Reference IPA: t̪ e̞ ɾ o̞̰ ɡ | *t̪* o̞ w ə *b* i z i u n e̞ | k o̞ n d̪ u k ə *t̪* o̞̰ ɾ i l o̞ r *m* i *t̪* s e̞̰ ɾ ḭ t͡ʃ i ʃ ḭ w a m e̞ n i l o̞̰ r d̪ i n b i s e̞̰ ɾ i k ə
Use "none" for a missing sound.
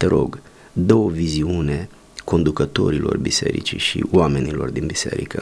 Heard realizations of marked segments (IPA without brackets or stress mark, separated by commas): d̪, v, t̪, b, none